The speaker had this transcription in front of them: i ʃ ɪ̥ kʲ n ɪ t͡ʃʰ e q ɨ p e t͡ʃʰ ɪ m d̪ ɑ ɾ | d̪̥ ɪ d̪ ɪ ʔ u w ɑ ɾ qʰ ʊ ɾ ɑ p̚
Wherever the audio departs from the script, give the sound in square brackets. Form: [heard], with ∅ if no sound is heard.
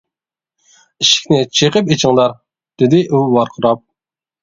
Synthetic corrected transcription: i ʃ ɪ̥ kʲ n ɪ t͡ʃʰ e q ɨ p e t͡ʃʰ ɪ [ŋ] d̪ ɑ ɾ | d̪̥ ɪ d̪ ɪ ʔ u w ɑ ɾ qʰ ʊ ɾ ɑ p̚